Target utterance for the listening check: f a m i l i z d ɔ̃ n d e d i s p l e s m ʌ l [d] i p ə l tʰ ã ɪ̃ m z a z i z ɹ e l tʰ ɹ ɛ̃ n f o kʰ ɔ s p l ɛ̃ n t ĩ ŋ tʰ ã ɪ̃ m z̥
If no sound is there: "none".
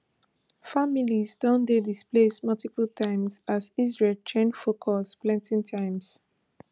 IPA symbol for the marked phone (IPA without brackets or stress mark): t